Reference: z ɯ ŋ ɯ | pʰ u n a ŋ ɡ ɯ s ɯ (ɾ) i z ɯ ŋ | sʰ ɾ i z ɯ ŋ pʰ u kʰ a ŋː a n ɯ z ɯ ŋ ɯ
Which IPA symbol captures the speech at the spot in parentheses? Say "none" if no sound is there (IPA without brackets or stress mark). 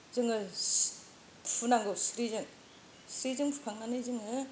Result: ɾ